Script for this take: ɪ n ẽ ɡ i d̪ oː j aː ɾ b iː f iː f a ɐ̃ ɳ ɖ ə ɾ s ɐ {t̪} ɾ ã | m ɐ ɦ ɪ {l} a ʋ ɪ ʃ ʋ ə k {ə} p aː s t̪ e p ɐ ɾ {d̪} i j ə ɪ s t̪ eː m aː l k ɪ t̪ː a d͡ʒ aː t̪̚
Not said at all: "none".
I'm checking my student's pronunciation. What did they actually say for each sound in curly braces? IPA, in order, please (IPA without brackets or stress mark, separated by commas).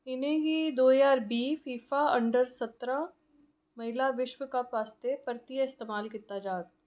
t̪, l, a, t̪